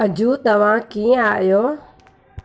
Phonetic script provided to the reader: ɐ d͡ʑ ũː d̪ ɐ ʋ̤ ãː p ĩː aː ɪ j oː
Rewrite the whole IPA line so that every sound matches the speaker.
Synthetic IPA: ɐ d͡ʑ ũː t̪ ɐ ʋ̤ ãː k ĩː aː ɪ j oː